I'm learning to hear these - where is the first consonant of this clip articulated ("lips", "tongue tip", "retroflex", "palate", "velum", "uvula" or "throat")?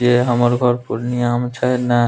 throat